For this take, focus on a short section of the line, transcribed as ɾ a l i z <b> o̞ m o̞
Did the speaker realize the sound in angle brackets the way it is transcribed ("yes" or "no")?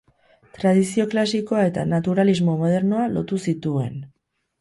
no